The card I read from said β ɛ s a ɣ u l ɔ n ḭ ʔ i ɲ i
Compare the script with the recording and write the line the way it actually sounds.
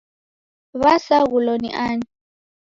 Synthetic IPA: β a s a ɣ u l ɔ n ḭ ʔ a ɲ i